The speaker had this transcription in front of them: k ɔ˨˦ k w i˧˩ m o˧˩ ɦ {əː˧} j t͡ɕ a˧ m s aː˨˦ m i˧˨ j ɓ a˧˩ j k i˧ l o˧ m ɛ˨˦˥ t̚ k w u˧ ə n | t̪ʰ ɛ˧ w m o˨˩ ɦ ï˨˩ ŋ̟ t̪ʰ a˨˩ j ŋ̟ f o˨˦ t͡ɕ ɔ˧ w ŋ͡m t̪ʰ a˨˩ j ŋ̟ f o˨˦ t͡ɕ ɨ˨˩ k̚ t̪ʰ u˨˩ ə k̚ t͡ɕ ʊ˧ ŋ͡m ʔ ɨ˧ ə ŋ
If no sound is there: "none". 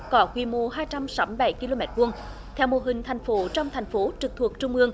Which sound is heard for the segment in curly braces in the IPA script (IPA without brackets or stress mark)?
aː˧